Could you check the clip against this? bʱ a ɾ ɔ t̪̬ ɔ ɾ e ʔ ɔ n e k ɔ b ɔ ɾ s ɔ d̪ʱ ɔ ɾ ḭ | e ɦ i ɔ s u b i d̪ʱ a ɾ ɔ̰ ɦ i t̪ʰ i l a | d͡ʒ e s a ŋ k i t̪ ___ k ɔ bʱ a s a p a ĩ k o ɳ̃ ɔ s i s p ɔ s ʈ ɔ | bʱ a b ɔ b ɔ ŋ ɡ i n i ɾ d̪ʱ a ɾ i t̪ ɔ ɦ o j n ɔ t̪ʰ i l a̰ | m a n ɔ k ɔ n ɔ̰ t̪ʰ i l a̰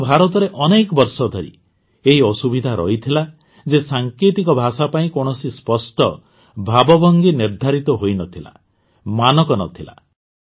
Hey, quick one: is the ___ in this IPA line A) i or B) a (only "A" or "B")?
A